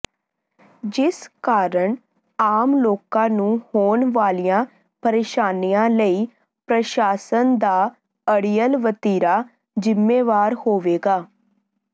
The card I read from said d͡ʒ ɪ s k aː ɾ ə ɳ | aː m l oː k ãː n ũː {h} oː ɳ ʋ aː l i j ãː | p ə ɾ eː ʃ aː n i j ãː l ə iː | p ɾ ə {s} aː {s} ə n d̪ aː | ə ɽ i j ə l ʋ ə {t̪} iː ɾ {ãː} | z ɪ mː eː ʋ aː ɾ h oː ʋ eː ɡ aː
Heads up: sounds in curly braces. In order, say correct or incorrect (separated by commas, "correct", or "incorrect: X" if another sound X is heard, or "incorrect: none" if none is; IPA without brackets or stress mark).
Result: correct, incorrect: ʃ, correct, correct, incorrect: aː